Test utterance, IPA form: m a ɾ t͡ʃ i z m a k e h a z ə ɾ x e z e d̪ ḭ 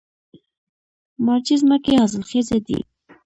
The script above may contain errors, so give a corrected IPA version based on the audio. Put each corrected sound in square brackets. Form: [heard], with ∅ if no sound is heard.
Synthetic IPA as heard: m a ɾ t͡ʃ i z m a k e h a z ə [l] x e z e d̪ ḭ